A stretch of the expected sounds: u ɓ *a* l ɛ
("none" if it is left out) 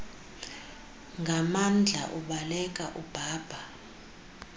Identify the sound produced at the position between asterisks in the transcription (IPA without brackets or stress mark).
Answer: a